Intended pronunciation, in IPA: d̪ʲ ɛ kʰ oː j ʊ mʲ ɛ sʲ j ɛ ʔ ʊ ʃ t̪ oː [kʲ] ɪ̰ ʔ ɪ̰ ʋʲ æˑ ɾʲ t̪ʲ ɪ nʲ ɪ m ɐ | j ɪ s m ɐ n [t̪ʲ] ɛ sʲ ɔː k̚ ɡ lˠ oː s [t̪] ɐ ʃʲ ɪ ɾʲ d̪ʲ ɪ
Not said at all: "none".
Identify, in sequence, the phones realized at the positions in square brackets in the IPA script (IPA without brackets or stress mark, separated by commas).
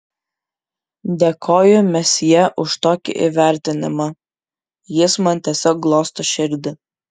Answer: kʲ, t̪ʲ, t̪